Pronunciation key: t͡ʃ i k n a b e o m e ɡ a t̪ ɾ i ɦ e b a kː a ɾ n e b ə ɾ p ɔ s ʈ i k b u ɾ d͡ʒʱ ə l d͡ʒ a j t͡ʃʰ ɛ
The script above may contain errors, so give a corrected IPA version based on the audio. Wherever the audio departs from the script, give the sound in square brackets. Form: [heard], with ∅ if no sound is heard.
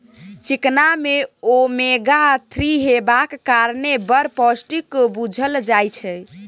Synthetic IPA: t͡ʃ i k n a [m] e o m e ɡ a [t̪ʰ] ɾ i ɦ e b a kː a ɾ n e b ə ɾ p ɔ s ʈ i k b u [∅] d͡ʒʱ ə l d͡ʒ a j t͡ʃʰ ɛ